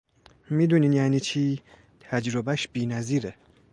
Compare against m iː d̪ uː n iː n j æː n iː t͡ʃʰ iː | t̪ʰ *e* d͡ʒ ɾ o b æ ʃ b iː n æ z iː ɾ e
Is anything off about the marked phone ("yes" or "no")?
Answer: yes